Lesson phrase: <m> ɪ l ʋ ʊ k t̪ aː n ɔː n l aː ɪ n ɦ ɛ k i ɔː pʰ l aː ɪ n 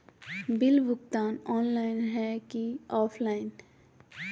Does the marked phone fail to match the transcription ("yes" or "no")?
yes